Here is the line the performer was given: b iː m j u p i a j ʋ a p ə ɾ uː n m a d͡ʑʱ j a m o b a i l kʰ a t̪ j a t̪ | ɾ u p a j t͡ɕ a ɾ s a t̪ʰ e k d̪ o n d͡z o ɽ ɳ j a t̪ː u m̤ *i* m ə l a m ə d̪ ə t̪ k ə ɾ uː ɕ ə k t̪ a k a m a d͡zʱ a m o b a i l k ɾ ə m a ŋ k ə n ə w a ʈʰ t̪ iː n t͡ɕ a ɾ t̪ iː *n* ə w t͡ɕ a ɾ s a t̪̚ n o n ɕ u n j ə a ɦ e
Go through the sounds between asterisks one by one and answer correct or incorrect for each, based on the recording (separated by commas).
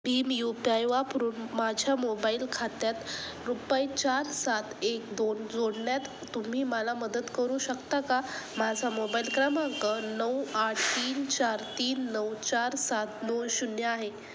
incorrect, incorrect